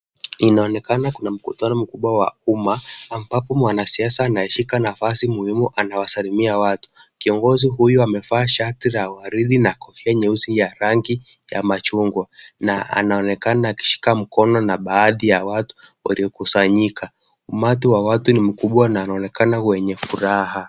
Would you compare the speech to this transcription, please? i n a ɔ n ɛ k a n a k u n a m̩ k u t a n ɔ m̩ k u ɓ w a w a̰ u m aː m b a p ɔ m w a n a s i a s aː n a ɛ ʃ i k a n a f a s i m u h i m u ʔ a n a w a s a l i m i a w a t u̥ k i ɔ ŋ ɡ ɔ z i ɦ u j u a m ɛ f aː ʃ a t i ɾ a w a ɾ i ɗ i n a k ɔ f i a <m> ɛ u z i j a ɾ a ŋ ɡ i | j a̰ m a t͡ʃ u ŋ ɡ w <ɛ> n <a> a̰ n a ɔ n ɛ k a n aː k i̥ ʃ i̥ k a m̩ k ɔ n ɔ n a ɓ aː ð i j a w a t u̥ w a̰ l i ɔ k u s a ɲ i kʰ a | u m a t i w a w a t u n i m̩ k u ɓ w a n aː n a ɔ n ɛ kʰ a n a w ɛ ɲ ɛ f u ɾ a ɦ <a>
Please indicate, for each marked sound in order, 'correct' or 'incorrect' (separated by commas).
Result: incorrect, incorrect, correct, correct